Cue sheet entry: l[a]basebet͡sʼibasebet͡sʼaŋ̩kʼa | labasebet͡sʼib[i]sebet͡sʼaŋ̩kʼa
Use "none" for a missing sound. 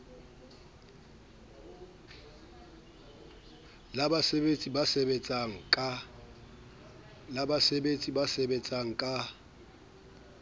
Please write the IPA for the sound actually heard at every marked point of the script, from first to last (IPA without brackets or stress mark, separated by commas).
a, a